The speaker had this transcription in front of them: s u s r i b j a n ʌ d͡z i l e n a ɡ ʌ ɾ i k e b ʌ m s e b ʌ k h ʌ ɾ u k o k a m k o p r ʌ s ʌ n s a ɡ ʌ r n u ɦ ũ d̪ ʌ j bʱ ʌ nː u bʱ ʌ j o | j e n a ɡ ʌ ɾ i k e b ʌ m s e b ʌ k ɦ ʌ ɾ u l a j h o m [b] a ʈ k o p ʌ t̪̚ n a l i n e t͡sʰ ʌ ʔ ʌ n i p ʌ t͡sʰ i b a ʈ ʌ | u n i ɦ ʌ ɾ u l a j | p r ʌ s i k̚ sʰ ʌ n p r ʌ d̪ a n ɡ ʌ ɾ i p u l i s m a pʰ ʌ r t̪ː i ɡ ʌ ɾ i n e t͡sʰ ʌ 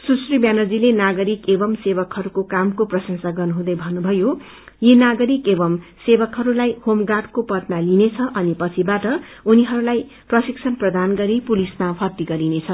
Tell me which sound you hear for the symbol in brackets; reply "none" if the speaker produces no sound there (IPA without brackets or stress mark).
ɡ